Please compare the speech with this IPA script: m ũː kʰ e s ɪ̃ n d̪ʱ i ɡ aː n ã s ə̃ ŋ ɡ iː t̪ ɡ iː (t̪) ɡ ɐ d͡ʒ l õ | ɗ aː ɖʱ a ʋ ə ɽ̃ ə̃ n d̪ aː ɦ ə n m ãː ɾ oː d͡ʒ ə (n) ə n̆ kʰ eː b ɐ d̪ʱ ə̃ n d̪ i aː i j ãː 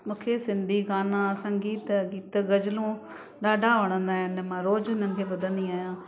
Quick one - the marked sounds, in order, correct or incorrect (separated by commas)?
correct, correct